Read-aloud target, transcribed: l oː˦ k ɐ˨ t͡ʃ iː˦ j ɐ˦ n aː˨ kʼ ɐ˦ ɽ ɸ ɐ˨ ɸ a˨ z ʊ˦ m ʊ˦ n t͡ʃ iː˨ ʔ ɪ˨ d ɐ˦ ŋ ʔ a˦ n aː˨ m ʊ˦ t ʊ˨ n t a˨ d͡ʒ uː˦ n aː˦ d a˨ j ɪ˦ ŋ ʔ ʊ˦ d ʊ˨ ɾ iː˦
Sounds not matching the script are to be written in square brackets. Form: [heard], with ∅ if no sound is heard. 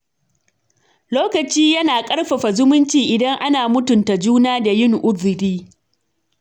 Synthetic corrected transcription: l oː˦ k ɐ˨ t͡ʃ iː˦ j ɐ˦ n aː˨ kʼ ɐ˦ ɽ ɸ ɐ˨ ɸ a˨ z ʊ˦ m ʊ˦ n t͡ʃ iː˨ ʔ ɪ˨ d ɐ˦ ŋ ʔ a˦ n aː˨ m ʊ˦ t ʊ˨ n t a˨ d͡ʒ uː˦ n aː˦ d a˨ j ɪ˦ ŋ ʔ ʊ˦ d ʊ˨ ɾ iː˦